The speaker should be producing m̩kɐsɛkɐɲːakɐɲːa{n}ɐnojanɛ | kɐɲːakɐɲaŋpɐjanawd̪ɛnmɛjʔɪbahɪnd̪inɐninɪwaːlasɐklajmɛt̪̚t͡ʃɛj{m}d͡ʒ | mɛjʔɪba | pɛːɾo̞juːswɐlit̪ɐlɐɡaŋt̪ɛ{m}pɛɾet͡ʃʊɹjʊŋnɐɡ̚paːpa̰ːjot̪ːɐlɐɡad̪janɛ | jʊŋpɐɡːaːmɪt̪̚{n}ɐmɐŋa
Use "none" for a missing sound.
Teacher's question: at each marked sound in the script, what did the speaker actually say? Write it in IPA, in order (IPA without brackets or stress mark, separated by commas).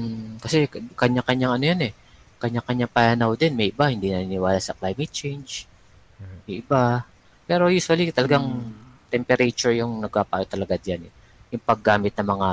ŋ, n, m, n